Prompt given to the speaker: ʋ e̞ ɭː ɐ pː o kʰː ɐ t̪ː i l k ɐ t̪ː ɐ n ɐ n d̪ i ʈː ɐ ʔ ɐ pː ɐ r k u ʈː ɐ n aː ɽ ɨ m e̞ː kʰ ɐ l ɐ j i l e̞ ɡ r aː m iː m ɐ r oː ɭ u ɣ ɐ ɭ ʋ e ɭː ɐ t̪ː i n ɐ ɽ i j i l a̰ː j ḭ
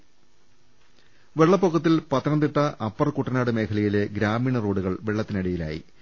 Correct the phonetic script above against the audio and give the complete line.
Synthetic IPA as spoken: ʋ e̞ ɭː ɐ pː o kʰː ɐ t̪ː i l p ɐ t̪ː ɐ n ɐ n d̪ i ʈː ɐ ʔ ɐ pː ɐ r k u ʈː ɐ n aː ɽ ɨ m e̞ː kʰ ɐ l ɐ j i l e̞ ɡ ɾ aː m iː ɳ ɐ r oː ɽ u ɣ ɐ ɭ ʋ e ɭː ɐ t̪ː i n ɐ ɽ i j i l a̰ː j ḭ